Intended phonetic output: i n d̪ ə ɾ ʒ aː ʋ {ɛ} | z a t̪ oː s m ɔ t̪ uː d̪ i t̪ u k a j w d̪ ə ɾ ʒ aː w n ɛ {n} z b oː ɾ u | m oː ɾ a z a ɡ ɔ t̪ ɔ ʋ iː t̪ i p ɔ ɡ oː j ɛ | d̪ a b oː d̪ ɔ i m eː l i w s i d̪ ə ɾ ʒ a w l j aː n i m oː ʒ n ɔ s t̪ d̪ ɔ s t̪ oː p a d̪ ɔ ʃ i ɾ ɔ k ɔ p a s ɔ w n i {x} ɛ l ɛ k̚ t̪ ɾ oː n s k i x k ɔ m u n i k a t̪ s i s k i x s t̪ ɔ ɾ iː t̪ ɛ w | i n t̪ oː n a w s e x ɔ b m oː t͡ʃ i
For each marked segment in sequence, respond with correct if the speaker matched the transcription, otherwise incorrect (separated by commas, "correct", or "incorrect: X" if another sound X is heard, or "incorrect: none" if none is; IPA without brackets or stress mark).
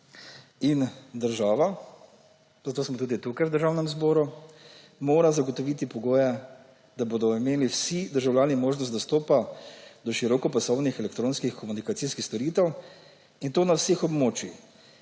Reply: incorrect: a, incorrect: m, correct